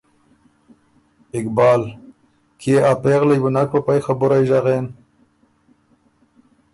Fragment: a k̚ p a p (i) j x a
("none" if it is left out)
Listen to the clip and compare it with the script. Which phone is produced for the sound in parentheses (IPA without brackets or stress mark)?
a